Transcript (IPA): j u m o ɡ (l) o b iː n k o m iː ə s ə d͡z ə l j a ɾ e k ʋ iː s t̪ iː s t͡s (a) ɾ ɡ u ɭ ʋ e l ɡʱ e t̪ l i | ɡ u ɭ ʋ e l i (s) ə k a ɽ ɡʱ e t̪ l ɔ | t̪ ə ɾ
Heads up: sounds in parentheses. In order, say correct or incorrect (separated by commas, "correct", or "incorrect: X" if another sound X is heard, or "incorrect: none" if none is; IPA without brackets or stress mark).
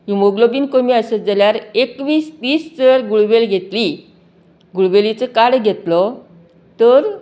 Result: correct, incorrect: ə, incorrect: t͡s